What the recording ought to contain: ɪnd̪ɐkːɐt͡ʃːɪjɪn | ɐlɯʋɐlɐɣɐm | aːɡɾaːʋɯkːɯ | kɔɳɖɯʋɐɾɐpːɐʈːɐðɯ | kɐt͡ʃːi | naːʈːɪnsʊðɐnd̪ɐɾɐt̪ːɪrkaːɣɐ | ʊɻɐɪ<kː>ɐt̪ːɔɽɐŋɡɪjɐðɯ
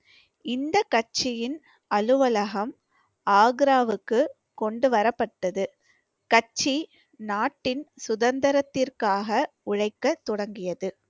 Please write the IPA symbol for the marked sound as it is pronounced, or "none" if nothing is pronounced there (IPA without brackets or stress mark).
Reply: kː